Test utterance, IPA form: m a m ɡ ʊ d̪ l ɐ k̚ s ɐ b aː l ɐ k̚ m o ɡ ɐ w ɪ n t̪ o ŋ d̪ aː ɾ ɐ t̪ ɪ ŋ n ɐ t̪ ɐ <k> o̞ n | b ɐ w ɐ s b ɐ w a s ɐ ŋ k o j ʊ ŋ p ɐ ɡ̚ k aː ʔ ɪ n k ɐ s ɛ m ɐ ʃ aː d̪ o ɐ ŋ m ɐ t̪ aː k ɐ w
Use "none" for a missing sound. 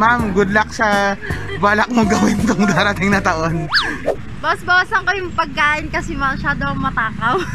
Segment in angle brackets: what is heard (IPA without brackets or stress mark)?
ʔ